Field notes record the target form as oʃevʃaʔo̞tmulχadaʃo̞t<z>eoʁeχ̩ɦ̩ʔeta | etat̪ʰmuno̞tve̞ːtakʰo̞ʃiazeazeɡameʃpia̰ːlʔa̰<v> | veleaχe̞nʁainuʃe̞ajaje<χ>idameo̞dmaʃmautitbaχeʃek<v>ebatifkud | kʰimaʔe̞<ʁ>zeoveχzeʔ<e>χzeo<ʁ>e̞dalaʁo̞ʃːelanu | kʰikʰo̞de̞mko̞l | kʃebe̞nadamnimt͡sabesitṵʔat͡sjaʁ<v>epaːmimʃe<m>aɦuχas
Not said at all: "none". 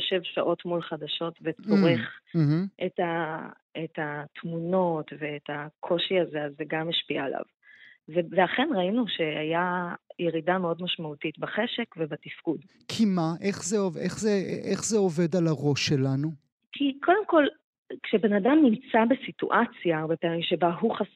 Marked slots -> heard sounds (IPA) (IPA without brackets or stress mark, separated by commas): v, v, ʁ, v, χ, e, v, b, b